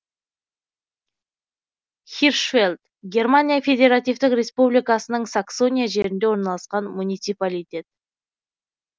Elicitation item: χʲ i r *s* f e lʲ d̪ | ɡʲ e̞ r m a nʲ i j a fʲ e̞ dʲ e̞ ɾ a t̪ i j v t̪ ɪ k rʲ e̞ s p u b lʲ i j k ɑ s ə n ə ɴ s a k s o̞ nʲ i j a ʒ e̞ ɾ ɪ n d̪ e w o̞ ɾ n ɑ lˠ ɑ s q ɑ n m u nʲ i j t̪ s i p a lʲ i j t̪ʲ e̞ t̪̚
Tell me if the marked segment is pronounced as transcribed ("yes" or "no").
no